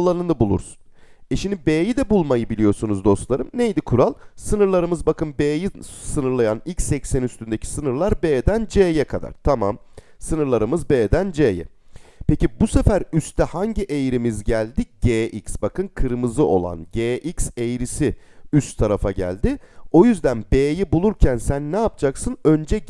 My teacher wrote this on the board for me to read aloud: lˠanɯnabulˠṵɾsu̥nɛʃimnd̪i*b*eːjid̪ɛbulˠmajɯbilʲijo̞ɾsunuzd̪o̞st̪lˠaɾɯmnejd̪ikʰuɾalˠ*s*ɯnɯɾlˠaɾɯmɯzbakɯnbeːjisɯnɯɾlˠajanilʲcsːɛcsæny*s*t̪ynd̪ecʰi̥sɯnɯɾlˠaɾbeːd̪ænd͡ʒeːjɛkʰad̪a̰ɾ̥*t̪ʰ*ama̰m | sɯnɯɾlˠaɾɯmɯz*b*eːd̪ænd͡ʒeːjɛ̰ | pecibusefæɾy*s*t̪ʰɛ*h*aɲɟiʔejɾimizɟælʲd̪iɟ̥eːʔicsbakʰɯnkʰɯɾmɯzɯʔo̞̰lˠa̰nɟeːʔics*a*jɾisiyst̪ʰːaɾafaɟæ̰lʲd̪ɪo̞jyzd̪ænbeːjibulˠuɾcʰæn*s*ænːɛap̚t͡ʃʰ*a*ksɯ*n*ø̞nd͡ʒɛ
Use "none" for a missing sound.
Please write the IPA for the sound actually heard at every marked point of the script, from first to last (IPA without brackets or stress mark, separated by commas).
b, s, s, t̪ʰ, b, s, h, e, s, a, n